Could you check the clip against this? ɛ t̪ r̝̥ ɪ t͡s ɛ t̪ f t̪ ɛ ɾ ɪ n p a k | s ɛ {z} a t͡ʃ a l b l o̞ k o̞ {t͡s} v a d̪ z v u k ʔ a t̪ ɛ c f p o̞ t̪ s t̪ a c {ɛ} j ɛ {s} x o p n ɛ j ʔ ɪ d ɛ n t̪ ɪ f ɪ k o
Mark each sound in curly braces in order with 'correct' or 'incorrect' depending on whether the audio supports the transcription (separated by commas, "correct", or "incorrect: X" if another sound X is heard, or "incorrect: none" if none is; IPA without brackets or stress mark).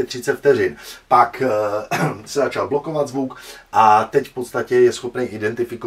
correct, incorrect: none, correct, correct